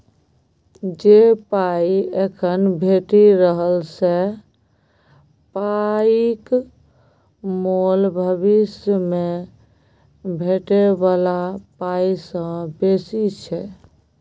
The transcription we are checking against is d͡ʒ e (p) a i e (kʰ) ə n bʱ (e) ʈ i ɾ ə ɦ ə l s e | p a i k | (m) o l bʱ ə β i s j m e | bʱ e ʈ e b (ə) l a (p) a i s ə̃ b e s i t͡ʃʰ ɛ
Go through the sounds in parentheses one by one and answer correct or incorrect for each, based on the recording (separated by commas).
correct, correct, correct, correct, incorrect, correct